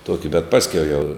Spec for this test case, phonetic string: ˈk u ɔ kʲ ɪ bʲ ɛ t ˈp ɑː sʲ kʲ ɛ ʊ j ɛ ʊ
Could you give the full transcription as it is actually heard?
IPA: ˈt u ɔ kʲ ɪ bʲ ɛ t ˈp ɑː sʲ kʲ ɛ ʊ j ɛ ʊ